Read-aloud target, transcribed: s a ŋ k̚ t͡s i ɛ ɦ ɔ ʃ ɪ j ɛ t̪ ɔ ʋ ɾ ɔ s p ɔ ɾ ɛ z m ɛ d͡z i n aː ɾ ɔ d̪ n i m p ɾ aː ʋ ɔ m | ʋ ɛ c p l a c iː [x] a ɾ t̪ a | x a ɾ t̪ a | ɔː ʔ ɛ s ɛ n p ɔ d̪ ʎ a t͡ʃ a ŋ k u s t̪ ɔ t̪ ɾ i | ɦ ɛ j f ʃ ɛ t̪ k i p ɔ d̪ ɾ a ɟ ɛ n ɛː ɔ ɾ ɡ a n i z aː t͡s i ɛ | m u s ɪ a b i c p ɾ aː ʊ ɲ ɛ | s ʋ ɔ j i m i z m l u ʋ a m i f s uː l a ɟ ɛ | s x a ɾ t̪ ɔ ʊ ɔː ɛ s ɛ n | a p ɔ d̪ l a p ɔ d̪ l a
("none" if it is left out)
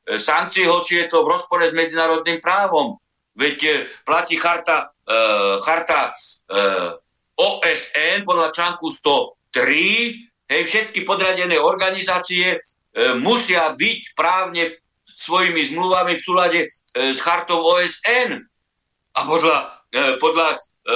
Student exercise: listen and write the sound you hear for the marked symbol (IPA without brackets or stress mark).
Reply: x